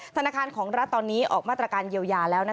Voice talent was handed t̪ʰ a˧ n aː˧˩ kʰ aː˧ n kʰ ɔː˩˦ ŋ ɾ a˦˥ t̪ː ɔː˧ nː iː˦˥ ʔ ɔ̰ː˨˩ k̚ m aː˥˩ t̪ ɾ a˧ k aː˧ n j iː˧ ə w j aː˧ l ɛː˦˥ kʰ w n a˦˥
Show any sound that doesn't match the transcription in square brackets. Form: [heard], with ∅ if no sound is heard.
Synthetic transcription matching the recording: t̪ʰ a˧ n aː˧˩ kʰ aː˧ n kʰ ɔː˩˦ ŋ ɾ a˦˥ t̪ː ɔː˧ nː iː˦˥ ʔ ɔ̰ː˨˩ k̚ m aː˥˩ t̪ ɾ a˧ k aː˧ n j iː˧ ə w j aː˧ l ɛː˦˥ [∅] w n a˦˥